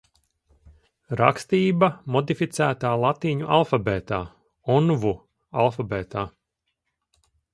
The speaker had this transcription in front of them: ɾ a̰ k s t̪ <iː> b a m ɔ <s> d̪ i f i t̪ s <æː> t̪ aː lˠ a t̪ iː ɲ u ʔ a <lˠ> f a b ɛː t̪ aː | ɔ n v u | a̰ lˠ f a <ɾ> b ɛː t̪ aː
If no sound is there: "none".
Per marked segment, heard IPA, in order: iː, none, æː, lˠ, none

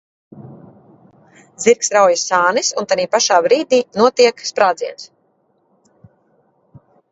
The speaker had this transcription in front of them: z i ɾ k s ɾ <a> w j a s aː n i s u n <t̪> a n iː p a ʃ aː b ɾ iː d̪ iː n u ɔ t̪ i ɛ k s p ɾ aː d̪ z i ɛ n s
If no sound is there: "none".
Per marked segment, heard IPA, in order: a, t̪

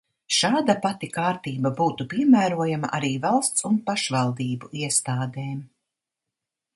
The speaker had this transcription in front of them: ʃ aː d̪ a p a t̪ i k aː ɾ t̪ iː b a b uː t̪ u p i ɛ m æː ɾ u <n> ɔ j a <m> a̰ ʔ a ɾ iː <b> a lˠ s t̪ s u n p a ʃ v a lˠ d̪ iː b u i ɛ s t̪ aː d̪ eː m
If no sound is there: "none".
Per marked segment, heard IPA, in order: none, m, v

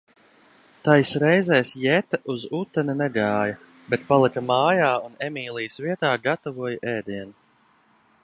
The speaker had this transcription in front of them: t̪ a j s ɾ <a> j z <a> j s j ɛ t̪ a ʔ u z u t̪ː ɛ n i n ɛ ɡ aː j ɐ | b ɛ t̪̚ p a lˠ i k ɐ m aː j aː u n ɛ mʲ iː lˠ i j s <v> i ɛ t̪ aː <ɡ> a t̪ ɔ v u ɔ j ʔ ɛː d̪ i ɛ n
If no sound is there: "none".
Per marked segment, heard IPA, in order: ɛ, ɛ, v, ɡ

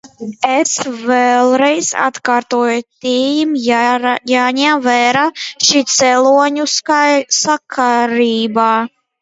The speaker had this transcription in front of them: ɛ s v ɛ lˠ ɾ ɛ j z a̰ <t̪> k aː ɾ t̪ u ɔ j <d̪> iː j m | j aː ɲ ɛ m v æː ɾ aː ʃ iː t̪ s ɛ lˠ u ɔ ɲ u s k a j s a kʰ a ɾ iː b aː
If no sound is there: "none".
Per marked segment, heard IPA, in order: t̪, t̪

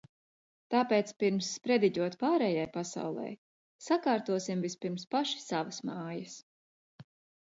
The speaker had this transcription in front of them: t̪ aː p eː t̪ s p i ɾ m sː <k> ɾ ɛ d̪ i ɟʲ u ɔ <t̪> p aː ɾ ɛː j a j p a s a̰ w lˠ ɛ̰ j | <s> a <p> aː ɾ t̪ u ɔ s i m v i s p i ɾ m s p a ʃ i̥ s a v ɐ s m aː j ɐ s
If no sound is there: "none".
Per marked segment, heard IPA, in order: p, t̪, s, k

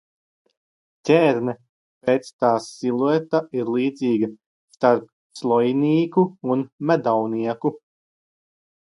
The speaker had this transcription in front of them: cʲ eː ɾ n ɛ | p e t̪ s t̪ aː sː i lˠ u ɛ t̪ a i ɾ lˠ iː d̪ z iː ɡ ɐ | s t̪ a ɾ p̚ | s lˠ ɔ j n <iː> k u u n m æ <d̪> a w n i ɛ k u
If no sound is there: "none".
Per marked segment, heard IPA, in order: iː, d̪

